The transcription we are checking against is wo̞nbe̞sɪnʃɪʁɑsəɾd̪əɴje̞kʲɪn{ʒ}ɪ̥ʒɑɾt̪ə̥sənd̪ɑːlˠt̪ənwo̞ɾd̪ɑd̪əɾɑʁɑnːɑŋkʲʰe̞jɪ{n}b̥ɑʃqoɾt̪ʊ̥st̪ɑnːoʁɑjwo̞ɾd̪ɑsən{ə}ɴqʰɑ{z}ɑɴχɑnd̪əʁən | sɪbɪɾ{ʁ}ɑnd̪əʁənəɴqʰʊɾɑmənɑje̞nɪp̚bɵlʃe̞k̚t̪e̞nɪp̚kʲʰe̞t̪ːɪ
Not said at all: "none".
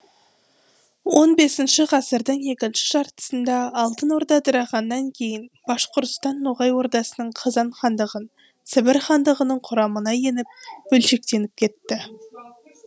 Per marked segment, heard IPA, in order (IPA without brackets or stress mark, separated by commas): ʃ, n, ə, z, χ